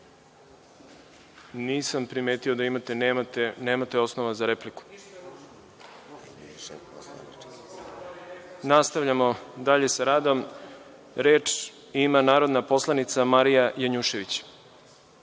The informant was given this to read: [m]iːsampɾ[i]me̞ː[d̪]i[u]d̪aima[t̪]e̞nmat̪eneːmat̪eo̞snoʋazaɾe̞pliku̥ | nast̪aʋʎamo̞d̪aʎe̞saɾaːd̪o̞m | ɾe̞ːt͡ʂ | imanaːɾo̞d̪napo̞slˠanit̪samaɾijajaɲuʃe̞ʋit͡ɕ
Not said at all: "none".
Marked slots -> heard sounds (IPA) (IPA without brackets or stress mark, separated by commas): n, i, t̪, o, t̪